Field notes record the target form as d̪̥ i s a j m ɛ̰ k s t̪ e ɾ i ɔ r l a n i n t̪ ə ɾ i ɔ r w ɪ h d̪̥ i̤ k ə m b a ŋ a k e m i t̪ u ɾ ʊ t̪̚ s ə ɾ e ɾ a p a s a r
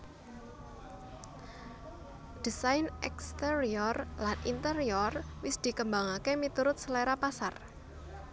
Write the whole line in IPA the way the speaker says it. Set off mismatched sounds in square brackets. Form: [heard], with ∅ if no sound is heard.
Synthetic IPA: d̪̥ i s a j [n] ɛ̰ k s t̪ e ɾ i ɔ r l a n i n t̪ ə ɾ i ɔ r w ɪ [s] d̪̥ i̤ k ə m b a ŋ a k e m i t̪ u ɾ ʊ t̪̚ s ə [l] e ɾ a p a s a r

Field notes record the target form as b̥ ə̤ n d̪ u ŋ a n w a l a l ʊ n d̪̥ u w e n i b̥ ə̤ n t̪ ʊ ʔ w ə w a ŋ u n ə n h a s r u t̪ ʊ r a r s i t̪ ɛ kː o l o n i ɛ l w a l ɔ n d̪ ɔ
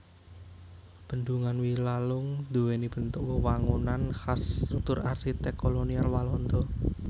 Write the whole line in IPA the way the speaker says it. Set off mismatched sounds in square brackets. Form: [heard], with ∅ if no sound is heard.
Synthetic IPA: b̥ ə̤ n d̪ u ŋ a n w [i] l a l ʊ [ŋ] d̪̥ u w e n i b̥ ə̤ n t̪ ʊ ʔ w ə w a ŋ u n [a] n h a s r u t̪ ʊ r a r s i t̪ ɛ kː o l o n i [a] l w a l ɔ n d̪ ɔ

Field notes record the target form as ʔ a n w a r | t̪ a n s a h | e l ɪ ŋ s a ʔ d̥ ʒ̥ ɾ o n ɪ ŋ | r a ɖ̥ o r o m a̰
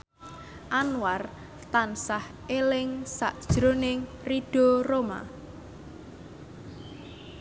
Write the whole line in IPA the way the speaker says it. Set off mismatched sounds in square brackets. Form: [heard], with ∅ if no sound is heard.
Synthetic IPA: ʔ a n w a r | t̪ a n s a h | e l ɪ ŋ s a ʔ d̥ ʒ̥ ɾ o n ɪ ŋ | r [i] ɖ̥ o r o m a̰

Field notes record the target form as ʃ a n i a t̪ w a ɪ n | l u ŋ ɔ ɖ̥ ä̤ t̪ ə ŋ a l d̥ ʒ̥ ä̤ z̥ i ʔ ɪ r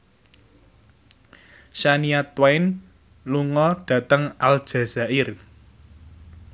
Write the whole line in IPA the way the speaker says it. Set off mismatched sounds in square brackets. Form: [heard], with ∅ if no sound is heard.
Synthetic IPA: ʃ a n i a t̪ w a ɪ n | l u ŋ ɔ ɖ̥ ä̤ t̪ ə ŋ a l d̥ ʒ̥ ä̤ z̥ [a] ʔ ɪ r

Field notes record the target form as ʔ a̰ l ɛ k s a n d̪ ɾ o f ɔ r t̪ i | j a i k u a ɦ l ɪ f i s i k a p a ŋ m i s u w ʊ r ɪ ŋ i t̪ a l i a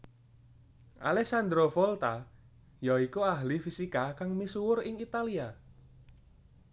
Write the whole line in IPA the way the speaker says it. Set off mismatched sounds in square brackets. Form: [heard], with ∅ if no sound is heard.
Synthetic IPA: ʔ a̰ l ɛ k s a n d̪ ɾ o f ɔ [l] t̪ [a] | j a i k u a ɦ l [i] f i s i k a [k] a ŋ m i s u w ʊ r ɪ ŋ i t̪ a l i a

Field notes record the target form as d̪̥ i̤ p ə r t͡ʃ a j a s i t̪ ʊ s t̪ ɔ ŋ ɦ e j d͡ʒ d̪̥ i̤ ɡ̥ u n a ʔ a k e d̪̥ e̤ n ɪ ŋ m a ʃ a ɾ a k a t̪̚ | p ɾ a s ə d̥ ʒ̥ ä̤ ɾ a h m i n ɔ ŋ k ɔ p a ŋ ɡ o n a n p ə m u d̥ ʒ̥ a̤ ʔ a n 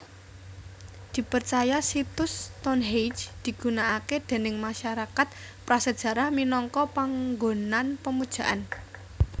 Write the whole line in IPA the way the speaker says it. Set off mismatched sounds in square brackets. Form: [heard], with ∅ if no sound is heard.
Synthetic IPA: d̪̥ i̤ p ə r t͡ʃ a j a s i t̪ ʊ s t̪ ɔ [n] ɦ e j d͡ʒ d̪̥ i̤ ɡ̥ u n a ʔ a k e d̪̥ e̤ n ɪ ŋ m a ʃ a ɾ a k a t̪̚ | p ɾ a s ə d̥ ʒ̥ ä̤ ɾ a h m i n ɔ ŋ k ɔ p a ŋ ɡ o n a n p ə m u d̥ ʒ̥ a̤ ʔ a n

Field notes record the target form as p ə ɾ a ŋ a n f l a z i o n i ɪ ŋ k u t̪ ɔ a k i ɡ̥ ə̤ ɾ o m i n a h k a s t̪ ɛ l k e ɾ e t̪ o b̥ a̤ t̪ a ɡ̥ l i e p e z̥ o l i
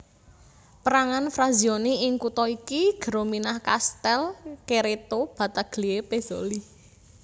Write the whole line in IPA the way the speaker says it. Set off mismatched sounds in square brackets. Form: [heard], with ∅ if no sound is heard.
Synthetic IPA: p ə ɾ a ŋ a n f [ɾ] a z i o n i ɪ ŋ k u t̪ ɔ [i] k i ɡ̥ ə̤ ɾ o m i n a h k a s t̪ ɛ l k e ɾ e t̪ o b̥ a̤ t̪ a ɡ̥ l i e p e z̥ o l i

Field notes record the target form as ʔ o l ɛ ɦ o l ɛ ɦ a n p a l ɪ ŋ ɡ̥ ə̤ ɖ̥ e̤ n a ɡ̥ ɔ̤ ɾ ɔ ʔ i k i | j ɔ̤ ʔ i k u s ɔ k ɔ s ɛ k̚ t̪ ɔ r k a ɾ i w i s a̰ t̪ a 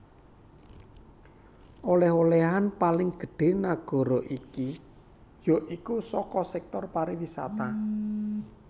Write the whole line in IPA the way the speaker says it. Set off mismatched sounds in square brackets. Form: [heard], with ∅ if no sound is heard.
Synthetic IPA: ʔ o l ɛ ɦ o l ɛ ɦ a n p a l ɪ ŋ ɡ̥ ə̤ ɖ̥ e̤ n a ɡ̥ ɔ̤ ɾ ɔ ʔ i k i | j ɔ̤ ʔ i k u s ɔ k ɔ s ɛ k̚ t̪ ɔ r [p] a ɾ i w i s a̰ t̪ a

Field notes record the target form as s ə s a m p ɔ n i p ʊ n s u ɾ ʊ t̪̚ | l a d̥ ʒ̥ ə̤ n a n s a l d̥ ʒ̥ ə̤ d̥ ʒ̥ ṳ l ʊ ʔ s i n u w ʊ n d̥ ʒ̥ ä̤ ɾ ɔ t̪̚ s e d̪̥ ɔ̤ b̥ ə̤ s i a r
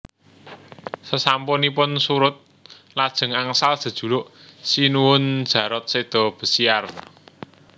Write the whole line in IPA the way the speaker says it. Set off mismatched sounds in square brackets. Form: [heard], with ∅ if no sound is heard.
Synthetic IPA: s ə s a m p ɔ n i p ʊ n s u ɾ ʊ t̪̚ | l a d̥ ʒ̥ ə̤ [ŋ] a [ŋ] s a l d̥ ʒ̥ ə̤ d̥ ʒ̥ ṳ l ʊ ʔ s i n u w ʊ n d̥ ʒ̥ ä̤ ɾ ɔ t̪̚ s e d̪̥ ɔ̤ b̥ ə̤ s i a r

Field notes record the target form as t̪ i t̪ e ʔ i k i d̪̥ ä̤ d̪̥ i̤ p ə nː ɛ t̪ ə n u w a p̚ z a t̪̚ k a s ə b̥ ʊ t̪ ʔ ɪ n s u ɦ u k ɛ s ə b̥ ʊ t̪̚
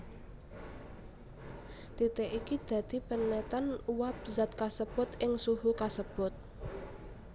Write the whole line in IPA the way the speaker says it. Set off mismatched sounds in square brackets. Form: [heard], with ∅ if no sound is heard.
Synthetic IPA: t̪ i t̪ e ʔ i k i d̪̥ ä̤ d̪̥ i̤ p ə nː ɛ t̪ [a] n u w a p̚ z a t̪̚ k a s ə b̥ ʊ t̪ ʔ ɪ [ŋ] s u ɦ u k [a] s ə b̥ ʊ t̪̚

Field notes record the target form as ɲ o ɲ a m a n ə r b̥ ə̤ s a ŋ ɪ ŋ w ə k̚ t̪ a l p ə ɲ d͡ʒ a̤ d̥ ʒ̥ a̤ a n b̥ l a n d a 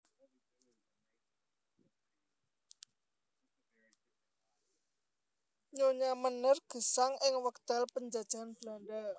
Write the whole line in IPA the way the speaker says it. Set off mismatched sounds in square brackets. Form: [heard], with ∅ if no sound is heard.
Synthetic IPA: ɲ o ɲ a m [ə] n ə r [ɡ̥] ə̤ s a ŋ ɪ ŋ w ə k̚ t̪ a l p ə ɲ d͡ʒ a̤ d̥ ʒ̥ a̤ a n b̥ l a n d a

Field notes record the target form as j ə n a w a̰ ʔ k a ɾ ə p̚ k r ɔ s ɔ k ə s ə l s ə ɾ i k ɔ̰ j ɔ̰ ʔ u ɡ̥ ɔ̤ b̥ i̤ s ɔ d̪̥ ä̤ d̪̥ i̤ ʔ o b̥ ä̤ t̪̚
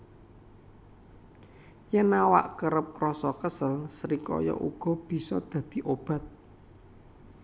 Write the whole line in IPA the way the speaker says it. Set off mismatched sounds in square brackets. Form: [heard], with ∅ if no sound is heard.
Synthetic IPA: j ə n a w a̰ ʔ k [ə] ɾ ə p̚ k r ɔ s ɔ k ə s ə l s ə ɾ i k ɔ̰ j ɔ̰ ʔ u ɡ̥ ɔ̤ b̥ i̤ s ɔ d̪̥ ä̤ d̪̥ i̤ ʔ o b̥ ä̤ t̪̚

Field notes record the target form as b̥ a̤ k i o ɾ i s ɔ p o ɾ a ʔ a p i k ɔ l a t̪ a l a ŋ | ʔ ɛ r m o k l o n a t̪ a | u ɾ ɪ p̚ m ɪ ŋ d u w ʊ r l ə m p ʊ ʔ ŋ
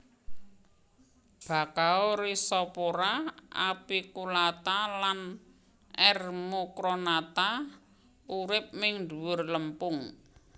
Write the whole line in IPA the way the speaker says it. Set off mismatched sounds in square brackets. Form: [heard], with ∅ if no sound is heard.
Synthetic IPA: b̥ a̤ k [a] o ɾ i s ɔ p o ɾ a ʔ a p i k [u] l a t̪ a l a [n] | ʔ ɛ r m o k [ɾ] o n a t̪ a | u ɾ ɪ p̚ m ɪ ŋ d u w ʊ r l ə m p ʊ [∅] ŋ

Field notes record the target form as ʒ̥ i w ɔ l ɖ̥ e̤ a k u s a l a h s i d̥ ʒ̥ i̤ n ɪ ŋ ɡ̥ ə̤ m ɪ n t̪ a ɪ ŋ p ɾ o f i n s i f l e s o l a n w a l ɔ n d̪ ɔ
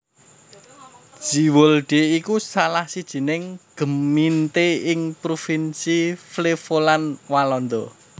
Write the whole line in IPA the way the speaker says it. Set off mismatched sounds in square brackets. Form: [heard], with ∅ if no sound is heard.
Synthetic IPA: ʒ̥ i w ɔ l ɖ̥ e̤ [i] k u s a l a h s i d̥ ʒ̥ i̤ n ɪ ŋ ɡ̥ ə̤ m [i] n t̪ [e] ɪ ŋ p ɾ o f i n s i f l e [f] o l a n w a l ɔ n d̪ ɔ

